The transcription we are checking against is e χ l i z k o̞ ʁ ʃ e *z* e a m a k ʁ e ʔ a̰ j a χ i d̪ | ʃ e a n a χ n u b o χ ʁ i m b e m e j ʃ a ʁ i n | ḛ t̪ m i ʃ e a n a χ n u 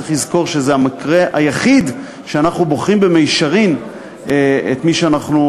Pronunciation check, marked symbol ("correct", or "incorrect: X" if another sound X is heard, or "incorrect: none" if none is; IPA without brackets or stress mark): correct